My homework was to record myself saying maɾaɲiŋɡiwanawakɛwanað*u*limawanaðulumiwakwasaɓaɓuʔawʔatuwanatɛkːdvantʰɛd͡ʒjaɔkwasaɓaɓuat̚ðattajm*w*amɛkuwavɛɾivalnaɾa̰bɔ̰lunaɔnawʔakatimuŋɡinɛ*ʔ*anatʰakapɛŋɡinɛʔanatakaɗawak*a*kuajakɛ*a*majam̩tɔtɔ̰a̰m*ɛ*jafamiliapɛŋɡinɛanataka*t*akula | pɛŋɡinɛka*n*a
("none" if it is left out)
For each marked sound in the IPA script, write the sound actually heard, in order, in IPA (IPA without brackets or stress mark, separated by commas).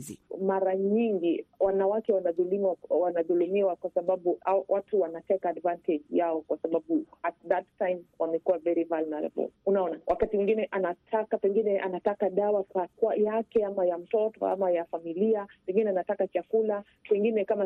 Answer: u, w, ʔ, a, a, a, t͡ʃ, m